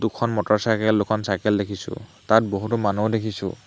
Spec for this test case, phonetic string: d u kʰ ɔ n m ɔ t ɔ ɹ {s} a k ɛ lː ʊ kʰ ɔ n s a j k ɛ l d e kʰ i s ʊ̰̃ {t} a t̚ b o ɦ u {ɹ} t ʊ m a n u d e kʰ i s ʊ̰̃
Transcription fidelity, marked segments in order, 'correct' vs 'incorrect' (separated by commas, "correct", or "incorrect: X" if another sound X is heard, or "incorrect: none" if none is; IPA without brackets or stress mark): correct, correct, incorrect: none